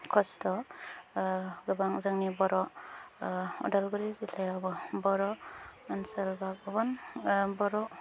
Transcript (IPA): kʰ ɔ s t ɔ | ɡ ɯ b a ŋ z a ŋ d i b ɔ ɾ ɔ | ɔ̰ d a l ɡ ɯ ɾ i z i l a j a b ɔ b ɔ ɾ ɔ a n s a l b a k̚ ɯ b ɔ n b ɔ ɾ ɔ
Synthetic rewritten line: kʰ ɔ s t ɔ | ɡ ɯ b a ŋ z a ŋ n i b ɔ ɾ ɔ | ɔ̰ d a l ɡ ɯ ɾ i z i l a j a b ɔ b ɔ ɾ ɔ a n s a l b a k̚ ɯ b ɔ n b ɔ ɾ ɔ

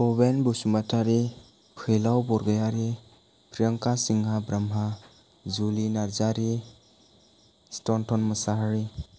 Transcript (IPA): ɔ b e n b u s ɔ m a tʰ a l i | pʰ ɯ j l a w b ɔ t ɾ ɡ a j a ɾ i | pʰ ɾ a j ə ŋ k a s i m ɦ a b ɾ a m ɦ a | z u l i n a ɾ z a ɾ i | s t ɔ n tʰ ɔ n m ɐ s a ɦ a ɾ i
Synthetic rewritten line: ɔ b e n b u s u m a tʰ a ɾ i | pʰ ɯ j l a w b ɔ ɾ ɡ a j a ɾ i | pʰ ɾ i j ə ŋ k a s i ŋ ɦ a b ɾ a m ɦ a | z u l i n a ɾ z a ɾ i | s t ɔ n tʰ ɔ n m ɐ s a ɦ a ɾ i

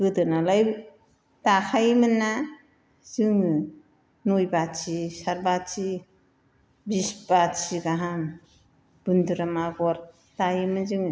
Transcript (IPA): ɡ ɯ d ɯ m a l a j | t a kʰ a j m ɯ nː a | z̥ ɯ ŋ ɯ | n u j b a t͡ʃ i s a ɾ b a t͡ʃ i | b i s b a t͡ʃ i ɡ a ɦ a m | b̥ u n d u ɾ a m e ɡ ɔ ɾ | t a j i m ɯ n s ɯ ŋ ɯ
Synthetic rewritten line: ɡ ɯ d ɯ n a l a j | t a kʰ a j m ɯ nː a | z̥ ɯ ŋ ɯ | n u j b a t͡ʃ i s a ɾ b a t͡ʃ i | b i s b a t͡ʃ i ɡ a ɦ a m | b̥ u n d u ɾ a m a ɡ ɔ ɾ | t a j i m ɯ n z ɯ ŋ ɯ

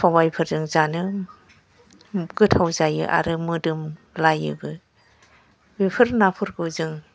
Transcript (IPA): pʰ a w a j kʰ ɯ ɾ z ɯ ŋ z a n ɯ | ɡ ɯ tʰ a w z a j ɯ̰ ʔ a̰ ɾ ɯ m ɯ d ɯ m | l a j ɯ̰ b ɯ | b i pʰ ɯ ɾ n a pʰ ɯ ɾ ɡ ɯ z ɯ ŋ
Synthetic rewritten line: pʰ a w a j pʰ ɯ ɾ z ɯ ŋ z a n ɯ | ɡ ɯ tʰ a w z a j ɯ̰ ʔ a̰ ɾ ɯ m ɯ d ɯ m | l a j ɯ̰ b ɯ | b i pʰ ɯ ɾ n a pʰ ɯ ɾ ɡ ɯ z ɯ ŋ

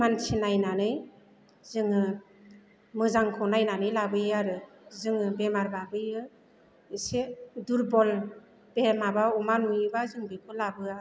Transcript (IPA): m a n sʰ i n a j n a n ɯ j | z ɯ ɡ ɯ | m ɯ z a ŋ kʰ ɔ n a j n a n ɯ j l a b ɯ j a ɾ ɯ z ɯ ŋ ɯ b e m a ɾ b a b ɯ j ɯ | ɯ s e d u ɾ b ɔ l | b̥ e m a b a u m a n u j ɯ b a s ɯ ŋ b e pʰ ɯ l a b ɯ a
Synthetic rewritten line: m a n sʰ i n a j n a n ɯ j | z ɯ ŋ ɯ | m ɯ z a ŋ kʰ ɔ n a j n a n ɯ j l a b ɯ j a ɾ ɯ z ɯ ŋ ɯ b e m a ɾ b a b ɯ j ɯ | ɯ s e d u ɾ b ɔ l | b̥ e m a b a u m a n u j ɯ b a z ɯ ŋ b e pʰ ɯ l a b ɯ a

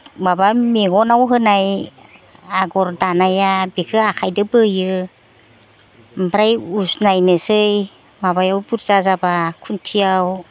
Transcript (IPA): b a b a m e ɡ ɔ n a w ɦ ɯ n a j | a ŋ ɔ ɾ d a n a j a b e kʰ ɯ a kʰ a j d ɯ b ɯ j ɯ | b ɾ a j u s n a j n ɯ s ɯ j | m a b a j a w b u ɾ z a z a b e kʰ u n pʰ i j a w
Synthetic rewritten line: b a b a m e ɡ ɔ n a w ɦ ɯ n a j | a ɡ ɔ ɾ d a n a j a b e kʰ ɯ a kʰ a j d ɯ b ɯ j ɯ | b ɾ a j u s n a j n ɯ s ɯ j | m a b a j a w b u ɾ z a z a b a kʰ u n tʰ i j a w

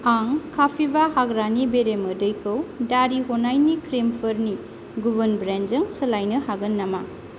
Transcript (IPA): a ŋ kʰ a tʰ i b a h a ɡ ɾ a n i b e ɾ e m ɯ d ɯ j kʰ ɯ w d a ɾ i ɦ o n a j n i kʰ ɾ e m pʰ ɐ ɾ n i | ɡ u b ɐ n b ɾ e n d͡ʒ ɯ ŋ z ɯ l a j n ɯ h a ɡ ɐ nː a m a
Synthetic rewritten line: a ŋ kʰ a pʰ i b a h a ɡ ɾ a n i b e ɾ e m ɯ d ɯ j kʰ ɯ w d a ɾ i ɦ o n a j n i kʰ ɾ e m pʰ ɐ ɾ n i | ɡ u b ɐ n b ɾ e n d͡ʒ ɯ ŋ s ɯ l a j n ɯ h a ɡ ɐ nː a m a

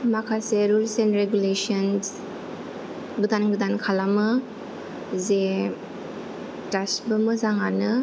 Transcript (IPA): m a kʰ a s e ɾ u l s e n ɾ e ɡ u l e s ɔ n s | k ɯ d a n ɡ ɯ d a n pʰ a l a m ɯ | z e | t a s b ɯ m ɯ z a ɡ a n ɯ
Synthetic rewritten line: m a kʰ a s e ɾ u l s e n ɾ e ɡ u l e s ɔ n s | ɡ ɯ d a n ɡ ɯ d a n kʰ a l a m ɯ | z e | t a s b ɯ m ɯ z a ŋ a n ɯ

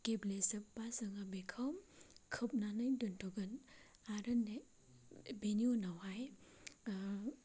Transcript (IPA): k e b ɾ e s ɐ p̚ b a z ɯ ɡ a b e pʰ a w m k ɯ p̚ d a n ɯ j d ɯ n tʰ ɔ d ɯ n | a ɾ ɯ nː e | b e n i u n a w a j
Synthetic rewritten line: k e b l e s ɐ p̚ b a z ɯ ŋ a b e kʰ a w m kʰ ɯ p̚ n a n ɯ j d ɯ n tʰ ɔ ɡ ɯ n | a ɾ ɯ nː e | b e n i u n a w a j

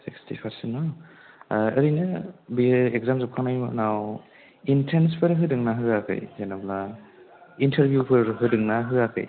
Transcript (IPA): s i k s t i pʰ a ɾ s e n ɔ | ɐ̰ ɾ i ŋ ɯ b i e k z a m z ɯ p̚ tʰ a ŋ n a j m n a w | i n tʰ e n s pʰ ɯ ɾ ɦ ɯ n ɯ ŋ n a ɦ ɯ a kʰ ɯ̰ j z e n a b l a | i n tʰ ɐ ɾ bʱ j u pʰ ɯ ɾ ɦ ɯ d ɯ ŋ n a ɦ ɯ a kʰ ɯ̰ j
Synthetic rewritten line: s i k s t i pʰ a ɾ s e n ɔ | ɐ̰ ɾ i n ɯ b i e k z a m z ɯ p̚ kʰ a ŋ n a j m n a w | i n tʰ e n s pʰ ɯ ɾ ɦ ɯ d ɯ ŋ n a ɦ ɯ a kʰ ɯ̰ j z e n a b l a | i n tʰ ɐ ɾ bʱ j u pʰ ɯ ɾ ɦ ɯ d ɯ ŋ n a ɦ ɯ a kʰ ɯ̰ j

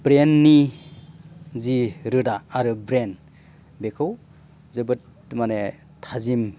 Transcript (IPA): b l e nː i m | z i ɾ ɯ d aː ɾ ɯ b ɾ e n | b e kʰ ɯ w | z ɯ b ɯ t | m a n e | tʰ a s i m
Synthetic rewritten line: b ɾ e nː i | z i ɾ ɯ d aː ɾ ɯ b ɾ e n | b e kʰ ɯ w | z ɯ b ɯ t | m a n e | tʰ a z i m

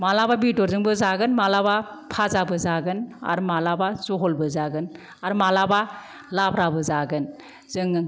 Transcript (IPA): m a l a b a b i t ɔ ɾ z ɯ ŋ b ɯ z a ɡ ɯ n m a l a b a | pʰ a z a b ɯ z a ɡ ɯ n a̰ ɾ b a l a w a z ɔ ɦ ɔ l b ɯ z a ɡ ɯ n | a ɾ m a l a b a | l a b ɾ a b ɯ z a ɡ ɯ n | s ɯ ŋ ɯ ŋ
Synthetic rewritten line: m a l a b a b i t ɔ ɾ z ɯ ŋ b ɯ z a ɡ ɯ n m a l a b a | pʰ a z a b ɯ z a ɡ ɯ n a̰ ɾ m a l a b a z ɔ ɦ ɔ l b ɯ z a ɡ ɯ n | a ɾ m a l a b a | l a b ɾ a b ɯ z a ɡ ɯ n | z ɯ ŋ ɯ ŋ

